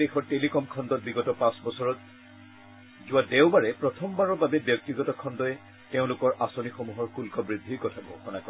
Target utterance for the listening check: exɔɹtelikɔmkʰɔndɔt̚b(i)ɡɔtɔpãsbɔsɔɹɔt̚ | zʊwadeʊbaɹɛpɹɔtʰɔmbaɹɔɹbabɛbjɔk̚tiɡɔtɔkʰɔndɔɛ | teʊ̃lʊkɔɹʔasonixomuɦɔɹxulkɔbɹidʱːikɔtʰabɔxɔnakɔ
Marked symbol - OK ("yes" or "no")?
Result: yes